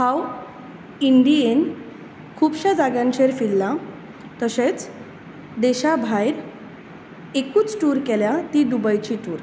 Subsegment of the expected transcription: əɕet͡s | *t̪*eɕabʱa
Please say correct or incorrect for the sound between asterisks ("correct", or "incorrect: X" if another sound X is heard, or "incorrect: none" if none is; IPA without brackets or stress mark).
incorrect: d̪